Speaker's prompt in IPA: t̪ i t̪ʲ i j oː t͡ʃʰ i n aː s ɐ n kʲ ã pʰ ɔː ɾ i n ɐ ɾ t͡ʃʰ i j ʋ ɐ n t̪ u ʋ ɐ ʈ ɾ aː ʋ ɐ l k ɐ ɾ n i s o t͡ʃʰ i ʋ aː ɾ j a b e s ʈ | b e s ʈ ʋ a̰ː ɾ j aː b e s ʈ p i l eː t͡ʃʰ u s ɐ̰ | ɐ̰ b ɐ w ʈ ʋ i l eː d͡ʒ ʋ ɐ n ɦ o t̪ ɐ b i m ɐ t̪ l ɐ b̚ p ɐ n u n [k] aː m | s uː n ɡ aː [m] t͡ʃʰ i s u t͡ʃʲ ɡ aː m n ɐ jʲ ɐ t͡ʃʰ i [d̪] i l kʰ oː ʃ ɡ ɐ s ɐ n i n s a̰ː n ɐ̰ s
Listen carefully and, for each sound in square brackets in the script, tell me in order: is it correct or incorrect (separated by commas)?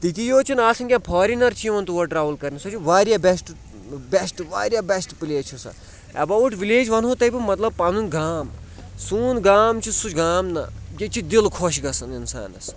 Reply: incorrect, correct, correct